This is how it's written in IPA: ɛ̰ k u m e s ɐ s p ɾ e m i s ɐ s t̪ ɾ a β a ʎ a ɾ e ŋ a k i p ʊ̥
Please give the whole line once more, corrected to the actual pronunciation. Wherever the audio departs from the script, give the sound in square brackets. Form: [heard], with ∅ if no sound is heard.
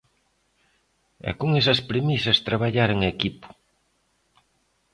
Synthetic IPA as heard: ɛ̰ k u [ŋ] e s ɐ s p ɾ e m i s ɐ s t̪ ɾ a β a ʎ a ɾ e ŋ [e] k i p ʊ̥